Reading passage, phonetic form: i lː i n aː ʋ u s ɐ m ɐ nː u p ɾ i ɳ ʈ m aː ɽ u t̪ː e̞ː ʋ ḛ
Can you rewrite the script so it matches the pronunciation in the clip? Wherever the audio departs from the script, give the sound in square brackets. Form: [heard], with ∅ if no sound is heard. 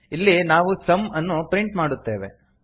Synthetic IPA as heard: i lː i n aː ʋ u s ɐ m ɐ nː u p ɾ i ɳ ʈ m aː ɽ u t̪ː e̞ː ʋ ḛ